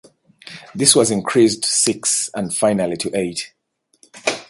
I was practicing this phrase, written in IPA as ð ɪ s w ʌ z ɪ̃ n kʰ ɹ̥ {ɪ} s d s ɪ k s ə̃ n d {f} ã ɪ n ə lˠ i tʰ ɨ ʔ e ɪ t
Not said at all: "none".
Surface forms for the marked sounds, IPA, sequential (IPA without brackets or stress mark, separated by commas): i, f